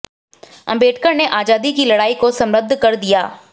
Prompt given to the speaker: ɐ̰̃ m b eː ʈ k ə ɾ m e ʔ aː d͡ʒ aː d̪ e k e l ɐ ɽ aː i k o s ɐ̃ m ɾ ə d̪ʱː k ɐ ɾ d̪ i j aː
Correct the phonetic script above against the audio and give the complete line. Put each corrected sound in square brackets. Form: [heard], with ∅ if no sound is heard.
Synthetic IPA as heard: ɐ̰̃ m b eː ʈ k ə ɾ [n] e ʔ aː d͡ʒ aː d̪ [i] k [i] l ɐ ɽ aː i k o s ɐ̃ m ɾ ə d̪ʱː k ɐ ɾ d̪ i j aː